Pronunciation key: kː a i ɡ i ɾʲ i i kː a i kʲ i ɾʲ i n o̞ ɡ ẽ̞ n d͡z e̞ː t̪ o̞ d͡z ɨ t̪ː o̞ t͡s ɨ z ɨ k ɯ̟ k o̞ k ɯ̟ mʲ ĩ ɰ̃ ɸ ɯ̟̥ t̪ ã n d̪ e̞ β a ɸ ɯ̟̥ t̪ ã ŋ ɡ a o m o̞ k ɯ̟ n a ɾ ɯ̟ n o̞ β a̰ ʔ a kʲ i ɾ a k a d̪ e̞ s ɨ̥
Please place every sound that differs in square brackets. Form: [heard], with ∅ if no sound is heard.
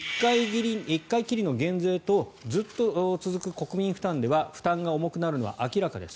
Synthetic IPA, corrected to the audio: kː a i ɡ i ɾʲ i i kː a i kʲ i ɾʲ i n o̞ ɡ ẽ̞ n d͡z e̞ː t̪ o̞ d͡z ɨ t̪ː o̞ t͡s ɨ z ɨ k ɯ̟ k o̞ k ɯ̟ mʲ ĩ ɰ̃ ɸ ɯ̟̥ t̪ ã n d̪ e̞ β a ɸ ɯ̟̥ t̪ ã ŋ ɡ a o m o̞ k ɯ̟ n a ɾ ɯ̟ n o̞ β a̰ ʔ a kʲ i ɾ a k a d̪ e̞ s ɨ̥